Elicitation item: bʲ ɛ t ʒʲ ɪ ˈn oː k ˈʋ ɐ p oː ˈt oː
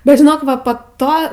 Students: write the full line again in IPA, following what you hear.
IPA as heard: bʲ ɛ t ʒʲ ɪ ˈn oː k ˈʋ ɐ p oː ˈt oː

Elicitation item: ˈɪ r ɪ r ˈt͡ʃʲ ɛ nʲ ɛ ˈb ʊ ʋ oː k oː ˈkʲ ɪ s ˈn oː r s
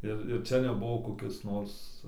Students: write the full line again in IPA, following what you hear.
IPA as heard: ˈɪ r ɪ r ˈt͡ʃʲ ɛ nʲ ɛ ˈb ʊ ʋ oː k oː ˈkʲ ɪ s ˈn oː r s

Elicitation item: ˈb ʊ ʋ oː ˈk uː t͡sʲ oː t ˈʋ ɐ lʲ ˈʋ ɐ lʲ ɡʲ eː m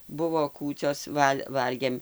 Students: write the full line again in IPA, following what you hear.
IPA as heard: ˈb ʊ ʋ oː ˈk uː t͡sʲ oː s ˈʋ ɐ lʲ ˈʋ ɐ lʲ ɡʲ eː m

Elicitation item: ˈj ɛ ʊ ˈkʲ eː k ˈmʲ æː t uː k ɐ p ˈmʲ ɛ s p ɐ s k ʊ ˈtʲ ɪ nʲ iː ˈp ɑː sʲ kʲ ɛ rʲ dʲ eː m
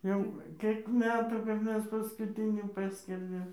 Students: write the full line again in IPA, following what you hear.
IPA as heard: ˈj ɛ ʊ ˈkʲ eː k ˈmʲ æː t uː k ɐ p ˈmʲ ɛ s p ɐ s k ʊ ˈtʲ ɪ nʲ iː ˈp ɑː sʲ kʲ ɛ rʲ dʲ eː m

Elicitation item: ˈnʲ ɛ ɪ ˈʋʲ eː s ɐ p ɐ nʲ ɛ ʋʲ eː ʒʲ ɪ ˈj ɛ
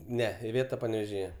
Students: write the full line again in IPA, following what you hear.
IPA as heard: ˈnʲ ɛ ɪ ˈʋʲ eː t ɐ p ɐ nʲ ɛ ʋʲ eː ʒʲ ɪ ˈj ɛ

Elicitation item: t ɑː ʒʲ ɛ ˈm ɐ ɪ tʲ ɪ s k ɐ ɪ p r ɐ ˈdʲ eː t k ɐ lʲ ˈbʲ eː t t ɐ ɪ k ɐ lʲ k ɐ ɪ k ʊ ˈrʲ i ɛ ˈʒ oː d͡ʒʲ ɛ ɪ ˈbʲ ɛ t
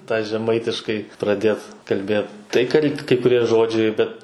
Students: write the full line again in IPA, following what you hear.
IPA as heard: t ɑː ʒʲ ɛ ˈm ɐ ɪ tʲ ɪ ʃ k ɐ ɪ p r ɐ ˈdʲ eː t k ɐ lʲ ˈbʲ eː t t ɐ ɪ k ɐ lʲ k ɐ ɪ k ʊ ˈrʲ i ɛ ˈʒ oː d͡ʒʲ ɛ ɪ ˈbʲ ɛ t

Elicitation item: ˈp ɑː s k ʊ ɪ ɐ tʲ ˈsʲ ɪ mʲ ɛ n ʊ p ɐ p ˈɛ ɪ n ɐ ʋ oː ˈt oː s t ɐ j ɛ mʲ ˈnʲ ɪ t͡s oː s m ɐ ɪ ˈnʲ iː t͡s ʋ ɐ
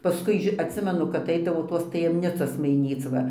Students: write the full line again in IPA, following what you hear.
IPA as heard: ˈp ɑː s k ʊ ɪ ɐ tʲ ˈsʲ ɪ mʲ ɛ n ʊ k ɐ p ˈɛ ɪ d ɐ ʋ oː ˈt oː s t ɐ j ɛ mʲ ˈnʲ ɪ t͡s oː s m ɐ ɪ ˈnʲ iː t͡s ʋ ɐ

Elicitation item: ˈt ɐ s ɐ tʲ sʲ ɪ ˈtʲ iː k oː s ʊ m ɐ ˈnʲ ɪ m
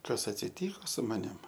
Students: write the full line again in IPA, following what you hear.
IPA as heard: ˈk ɐ s ɐ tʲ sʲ ɪ ˈtʲ iː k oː s ʊ m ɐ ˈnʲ ɪ m

